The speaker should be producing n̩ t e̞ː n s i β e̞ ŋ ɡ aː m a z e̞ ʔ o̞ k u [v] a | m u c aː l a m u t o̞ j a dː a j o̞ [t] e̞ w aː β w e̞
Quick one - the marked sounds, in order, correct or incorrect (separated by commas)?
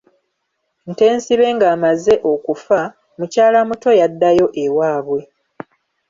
incorrect, incorrect